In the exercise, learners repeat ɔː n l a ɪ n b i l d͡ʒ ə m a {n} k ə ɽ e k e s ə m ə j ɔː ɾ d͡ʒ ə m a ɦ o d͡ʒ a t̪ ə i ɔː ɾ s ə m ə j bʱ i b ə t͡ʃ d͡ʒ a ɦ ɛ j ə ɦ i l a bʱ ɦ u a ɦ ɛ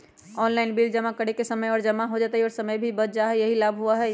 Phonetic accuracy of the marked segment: incorrect: none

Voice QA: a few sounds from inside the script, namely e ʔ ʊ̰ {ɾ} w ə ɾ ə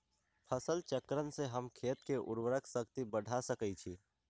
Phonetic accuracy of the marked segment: correct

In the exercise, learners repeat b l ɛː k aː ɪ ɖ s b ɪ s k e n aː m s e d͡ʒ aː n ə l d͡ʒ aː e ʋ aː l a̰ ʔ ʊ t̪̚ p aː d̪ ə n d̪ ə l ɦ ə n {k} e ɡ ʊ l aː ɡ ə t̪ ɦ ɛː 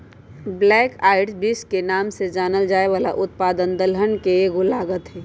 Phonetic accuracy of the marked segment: correct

